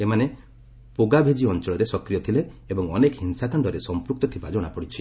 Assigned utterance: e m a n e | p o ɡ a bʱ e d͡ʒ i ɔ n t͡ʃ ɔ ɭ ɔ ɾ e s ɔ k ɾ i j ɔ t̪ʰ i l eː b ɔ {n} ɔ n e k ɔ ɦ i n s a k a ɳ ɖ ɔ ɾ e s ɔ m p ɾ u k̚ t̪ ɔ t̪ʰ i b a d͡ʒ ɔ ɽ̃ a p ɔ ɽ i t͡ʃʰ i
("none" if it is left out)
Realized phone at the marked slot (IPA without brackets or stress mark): ŋ